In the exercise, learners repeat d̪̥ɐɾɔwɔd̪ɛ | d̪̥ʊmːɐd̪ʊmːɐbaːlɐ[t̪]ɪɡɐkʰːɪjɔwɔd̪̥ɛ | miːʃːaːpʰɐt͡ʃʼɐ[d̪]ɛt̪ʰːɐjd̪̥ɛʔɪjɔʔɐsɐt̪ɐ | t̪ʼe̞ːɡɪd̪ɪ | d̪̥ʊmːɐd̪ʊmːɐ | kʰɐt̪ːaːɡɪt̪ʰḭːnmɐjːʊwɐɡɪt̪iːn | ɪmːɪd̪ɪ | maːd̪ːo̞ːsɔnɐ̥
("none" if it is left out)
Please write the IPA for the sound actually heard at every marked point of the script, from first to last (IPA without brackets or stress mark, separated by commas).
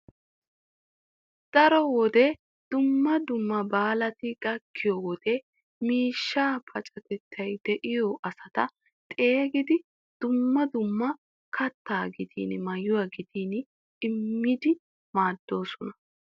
t̪, t̪